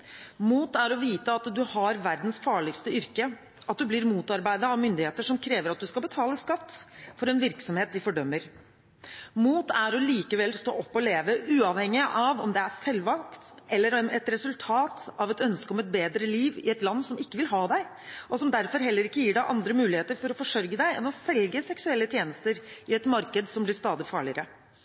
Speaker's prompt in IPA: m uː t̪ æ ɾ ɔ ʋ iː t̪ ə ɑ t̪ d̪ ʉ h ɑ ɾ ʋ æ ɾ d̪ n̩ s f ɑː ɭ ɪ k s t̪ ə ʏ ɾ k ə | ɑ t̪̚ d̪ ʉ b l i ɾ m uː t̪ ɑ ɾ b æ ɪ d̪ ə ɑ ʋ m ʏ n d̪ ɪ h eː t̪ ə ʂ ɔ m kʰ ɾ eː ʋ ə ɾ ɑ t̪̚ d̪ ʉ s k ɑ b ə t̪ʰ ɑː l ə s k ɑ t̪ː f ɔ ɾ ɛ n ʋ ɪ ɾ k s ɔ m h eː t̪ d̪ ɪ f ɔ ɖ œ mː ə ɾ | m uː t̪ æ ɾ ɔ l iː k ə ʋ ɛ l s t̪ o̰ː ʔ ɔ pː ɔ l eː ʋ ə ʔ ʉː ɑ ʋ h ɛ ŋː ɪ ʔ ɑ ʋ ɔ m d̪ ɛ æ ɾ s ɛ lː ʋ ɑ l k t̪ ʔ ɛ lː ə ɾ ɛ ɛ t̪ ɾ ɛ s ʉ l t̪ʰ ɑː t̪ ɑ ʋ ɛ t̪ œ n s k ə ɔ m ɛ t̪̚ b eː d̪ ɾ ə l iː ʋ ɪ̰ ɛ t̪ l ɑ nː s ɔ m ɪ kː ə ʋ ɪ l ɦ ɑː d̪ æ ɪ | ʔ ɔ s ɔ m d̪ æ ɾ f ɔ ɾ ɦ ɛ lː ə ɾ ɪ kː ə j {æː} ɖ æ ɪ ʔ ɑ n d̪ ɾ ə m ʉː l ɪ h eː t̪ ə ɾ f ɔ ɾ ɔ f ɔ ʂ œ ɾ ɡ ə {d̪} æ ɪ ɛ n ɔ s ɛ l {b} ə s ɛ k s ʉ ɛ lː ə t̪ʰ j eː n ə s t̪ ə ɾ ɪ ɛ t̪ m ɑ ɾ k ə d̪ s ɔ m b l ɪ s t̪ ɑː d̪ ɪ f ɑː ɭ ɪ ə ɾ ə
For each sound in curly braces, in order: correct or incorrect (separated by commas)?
incorrect, correct, incorrect